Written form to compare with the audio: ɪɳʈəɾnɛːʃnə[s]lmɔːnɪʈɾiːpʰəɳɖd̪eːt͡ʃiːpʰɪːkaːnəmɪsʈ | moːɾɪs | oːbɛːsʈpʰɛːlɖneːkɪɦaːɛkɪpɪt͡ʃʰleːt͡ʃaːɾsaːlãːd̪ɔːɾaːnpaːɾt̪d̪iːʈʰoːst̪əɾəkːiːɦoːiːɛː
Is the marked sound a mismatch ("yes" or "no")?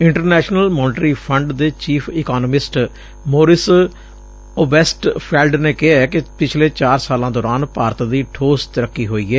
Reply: yes